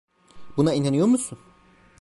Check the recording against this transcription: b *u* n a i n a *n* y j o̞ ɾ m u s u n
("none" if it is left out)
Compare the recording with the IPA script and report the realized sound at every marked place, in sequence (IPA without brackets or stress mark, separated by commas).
u, n